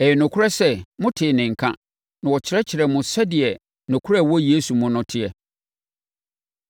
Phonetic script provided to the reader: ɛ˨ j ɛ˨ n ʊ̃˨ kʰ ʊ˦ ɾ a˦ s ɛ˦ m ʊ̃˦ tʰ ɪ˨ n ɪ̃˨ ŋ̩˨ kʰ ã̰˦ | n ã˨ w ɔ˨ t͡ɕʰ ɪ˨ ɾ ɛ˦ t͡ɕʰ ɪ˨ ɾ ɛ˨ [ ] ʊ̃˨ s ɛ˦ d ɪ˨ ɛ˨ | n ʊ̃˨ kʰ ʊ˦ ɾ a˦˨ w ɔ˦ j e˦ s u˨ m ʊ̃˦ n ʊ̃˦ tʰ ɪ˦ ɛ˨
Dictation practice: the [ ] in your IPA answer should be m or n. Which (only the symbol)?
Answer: m